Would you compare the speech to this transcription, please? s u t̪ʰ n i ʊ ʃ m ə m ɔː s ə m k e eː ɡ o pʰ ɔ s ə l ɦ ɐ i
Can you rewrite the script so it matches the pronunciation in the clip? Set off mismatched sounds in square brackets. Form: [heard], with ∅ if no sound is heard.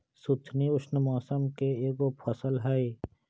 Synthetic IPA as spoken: s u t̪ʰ n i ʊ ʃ [n] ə m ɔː s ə m k e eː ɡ o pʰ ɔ s ə l ɦ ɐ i